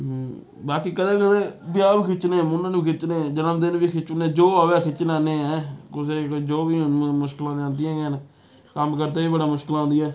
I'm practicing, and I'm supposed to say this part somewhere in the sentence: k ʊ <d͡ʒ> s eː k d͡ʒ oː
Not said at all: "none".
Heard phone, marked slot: none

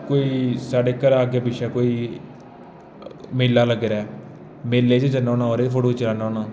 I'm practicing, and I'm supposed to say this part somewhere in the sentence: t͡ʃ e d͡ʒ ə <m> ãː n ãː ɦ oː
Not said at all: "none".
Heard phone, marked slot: n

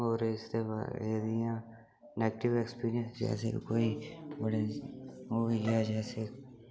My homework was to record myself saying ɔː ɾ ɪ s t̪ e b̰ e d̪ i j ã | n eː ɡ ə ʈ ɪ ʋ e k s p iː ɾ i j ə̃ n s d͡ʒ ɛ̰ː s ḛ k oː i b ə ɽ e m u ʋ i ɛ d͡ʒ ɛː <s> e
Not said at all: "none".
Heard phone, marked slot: s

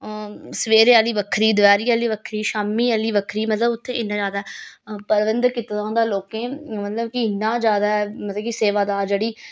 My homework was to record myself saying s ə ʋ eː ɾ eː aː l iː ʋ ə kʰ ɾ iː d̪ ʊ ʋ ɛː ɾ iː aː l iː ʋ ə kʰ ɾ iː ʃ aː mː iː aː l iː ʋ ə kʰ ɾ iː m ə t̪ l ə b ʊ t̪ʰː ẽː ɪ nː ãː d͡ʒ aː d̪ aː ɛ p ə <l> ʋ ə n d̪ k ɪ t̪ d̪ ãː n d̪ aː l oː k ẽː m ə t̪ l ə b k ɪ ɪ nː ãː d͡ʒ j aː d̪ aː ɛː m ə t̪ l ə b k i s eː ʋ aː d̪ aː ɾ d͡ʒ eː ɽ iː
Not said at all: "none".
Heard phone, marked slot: ɾ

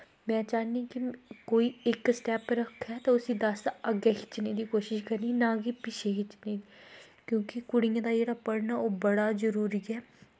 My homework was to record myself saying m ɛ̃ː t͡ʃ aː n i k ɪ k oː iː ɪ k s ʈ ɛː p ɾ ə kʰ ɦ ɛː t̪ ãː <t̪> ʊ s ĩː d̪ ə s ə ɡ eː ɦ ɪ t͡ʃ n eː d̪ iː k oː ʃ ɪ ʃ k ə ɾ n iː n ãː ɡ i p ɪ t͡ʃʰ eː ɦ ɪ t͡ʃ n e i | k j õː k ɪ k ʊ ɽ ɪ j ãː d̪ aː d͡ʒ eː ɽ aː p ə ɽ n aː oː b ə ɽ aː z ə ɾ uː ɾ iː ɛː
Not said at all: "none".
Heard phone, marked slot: none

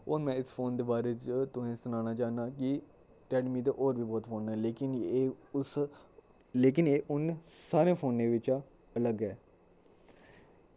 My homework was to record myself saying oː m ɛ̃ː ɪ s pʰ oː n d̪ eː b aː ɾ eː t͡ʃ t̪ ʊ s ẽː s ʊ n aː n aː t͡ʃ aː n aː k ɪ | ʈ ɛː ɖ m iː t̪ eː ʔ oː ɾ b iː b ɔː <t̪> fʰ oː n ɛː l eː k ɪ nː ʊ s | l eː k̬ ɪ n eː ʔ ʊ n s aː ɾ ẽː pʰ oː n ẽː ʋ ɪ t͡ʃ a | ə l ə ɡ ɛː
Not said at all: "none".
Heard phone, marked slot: t̪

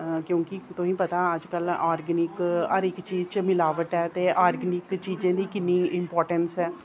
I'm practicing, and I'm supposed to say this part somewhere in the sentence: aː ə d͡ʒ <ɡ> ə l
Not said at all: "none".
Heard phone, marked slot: k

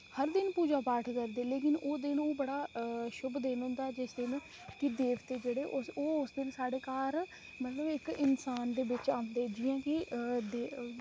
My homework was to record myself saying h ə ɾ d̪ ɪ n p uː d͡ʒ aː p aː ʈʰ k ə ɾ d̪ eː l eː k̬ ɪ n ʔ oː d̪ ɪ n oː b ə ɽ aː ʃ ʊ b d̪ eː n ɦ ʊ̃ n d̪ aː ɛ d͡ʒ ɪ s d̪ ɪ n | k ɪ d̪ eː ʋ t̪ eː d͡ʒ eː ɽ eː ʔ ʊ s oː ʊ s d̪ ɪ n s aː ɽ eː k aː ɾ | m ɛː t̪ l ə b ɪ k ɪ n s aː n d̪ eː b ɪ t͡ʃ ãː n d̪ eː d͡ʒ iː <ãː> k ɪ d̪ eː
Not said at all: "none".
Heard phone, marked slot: ãː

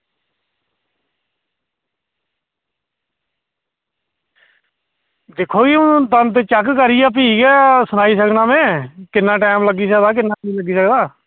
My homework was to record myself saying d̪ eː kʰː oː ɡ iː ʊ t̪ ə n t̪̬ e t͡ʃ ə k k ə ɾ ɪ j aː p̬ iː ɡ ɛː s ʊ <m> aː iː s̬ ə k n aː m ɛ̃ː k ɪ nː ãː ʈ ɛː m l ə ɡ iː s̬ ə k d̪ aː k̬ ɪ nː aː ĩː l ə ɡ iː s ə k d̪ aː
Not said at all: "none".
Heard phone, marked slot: n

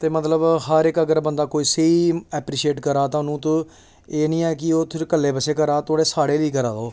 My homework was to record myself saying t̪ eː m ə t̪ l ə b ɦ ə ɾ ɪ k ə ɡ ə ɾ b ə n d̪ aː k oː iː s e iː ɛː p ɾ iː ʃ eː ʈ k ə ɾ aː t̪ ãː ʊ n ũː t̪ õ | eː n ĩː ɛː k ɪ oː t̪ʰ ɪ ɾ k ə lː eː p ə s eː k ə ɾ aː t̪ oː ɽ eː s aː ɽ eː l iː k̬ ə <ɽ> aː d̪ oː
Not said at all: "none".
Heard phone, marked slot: ɾ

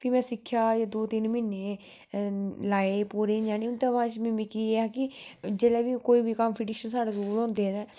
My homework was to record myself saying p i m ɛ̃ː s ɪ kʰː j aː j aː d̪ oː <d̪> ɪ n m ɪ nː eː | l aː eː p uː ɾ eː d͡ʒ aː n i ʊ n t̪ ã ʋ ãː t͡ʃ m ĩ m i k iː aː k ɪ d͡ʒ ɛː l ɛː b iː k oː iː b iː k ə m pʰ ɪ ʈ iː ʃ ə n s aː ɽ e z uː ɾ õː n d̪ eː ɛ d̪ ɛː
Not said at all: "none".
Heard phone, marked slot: t̪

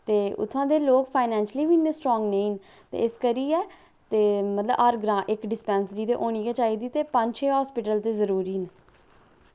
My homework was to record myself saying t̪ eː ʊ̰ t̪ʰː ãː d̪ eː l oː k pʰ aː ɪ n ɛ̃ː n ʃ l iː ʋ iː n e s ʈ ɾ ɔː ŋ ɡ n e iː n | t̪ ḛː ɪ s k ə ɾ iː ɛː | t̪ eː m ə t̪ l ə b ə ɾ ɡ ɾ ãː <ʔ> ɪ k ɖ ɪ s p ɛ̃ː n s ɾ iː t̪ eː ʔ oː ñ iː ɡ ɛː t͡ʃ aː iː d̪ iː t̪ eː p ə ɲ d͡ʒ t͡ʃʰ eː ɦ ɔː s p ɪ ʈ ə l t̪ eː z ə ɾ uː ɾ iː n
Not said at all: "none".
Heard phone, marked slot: ʔ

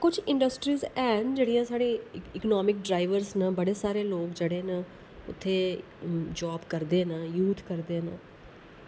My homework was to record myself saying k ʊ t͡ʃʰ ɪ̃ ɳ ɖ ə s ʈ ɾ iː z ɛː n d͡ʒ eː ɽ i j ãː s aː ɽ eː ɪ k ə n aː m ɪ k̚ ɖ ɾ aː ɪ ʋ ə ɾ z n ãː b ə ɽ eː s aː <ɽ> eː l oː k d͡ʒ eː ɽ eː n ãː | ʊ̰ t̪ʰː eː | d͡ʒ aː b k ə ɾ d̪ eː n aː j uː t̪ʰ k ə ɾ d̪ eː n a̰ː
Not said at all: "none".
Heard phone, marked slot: ɾ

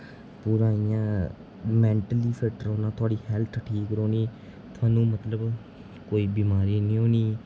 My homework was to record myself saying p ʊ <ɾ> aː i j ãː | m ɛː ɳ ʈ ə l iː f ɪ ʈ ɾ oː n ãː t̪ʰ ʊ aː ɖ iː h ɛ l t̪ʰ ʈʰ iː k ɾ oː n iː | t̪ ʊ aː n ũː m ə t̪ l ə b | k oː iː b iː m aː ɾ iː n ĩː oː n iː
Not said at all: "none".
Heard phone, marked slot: ɾ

